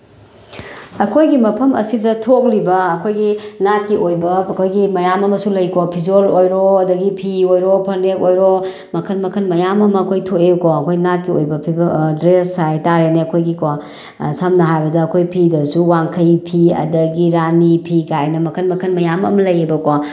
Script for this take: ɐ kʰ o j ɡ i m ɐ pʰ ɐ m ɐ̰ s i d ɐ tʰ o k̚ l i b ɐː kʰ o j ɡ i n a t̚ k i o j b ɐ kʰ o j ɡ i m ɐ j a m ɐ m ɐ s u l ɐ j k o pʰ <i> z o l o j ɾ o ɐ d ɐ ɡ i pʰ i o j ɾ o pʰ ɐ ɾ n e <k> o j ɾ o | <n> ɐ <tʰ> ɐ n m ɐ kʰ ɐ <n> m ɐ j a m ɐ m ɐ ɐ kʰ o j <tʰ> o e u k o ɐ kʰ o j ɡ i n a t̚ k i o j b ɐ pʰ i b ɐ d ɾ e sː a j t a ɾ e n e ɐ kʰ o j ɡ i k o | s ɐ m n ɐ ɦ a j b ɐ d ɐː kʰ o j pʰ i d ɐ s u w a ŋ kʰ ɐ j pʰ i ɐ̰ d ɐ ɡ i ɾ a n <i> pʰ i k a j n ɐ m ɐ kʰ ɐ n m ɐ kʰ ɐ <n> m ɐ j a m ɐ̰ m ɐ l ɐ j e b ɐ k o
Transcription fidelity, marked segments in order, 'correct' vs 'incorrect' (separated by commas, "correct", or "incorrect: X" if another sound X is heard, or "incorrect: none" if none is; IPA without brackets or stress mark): correct, correct, incorrect: m, incorrect: kʰ, correct, correct, correct, correct